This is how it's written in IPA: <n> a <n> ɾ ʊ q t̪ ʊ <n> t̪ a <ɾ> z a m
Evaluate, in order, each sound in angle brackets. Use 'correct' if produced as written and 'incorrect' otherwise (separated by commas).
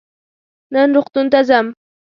correct, correct, correct, incorrect